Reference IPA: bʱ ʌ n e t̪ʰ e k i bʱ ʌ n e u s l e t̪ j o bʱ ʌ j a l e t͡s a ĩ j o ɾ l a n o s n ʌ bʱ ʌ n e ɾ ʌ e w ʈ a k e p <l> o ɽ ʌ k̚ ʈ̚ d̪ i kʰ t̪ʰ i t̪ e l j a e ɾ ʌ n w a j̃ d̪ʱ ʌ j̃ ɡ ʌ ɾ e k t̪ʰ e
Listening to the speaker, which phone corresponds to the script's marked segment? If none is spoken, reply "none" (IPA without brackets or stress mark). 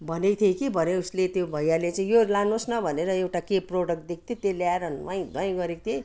r